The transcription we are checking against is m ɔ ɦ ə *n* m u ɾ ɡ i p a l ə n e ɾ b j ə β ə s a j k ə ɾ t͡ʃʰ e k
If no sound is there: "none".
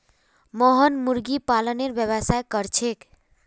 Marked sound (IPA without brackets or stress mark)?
n